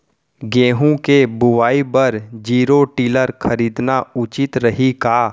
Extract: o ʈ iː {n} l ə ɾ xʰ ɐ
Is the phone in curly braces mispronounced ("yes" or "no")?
yes